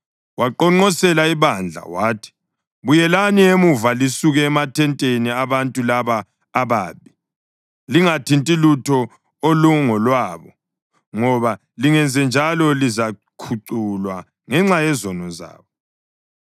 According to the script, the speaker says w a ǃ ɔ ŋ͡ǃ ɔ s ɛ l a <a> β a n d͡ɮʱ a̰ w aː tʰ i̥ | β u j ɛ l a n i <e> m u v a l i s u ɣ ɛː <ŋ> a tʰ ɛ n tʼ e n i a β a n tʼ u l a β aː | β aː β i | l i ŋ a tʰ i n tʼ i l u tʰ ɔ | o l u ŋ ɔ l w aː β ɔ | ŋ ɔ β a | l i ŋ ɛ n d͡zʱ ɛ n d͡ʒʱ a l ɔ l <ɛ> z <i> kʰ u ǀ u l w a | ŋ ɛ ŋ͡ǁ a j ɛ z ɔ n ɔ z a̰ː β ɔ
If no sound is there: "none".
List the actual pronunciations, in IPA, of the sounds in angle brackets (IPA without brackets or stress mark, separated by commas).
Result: i, e, m, i, a